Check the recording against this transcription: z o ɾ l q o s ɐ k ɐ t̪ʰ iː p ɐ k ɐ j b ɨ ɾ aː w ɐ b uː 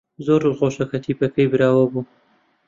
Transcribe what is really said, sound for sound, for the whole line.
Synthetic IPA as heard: z o ɾ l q o ʃ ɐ k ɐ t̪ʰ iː p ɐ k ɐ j b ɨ ɾ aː w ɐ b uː